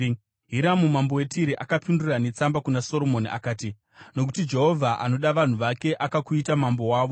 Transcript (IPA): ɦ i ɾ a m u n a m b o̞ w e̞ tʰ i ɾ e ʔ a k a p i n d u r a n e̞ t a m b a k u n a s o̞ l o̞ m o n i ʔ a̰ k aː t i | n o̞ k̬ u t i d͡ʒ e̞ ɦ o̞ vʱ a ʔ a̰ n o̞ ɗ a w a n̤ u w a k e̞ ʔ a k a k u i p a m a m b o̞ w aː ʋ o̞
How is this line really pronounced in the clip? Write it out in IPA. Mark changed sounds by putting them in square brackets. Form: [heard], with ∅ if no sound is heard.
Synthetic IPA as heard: ɦ i ɾ a m u [m] a m b o̞ w e̞ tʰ i ɾ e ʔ a k a p i n d u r a n e̞ [t͡s] a m b a k u n a s o̞ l o̞ m o n i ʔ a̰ k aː t i | n o̞ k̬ u t i d͡ʒ e̞ ɦ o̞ vʱ a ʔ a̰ n o̞ ɗ a [ʋ] a n̤ u [ʋ] a k e̞ ʔ a k a k u i [t] a m a m b o̞ w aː ʋ o̞